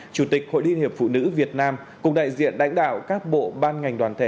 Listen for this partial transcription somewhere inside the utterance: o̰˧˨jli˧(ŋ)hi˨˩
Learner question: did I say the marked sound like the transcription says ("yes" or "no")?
no